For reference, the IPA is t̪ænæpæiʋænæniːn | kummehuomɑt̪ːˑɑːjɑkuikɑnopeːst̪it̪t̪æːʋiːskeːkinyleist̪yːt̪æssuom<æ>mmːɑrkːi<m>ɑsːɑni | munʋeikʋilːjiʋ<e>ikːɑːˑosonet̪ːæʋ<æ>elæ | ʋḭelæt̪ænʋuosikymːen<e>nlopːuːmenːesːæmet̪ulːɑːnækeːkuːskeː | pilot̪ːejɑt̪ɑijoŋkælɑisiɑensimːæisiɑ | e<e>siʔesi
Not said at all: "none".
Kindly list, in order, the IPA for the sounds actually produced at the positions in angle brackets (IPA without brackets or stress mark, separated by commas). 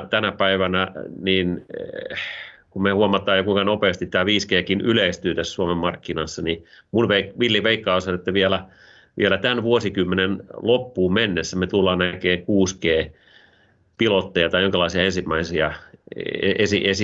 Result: e, n, e, i, e, e